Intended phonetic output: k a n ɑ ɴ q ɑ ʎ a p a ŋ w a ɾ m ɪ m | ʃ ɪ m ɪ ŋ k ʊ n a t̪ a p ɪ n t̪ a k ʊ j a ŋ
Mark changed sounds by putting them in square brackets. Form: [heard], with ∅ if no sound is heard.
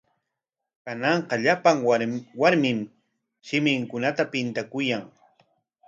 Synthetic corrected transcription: k a n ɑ ɴ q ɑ ʎ a p a ŋ w a ɾ m ɪ m | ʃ ɪ m ɪ ŋ k ʊ n a t̪ a p ɪ n t̪ a k ʊ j a ŋ